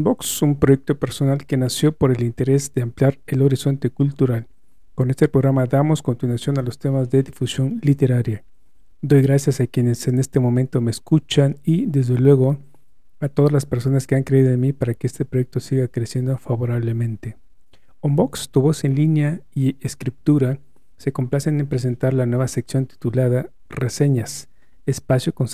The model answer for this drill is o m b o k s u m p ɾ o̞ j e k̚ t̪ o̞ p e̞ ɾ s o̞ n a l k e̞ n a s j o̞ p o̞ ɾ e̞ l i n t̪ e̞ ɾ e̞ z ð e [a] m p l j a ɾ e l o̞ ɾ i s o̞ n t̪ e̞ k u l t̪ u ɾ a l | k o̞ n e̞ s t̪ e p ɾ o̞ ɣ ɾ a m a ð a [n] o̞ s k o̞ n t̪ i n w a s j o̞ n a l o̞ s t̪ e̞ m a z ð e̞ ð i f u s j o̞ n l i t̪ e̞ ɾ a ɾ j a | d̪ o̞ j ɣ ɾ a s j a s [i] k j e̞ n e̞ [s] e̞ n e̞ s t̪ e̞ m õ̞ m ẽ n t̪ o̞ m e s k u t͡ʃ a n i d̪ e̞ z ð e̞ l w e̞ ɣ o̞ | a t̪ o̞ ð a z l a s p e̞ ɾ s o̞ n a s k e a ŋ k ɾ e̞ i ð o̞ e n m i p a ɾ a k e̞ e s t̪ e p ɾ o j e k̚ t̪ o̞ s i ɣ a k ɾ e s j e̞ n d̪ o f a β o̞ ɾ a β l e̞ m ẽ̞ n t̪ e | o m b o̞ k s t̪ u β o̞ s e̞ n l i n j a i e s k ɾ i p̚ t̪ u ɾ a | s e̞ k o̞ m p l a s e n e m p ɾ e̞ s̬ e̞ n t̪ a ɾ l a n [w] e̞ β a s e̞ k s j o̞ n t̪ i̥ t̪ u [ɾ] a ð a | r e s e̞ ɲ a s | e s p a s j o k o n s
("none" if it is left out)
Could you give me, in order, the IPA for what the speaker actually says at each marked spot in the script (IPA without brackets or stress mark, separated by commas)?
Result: a, m, a, s, w, l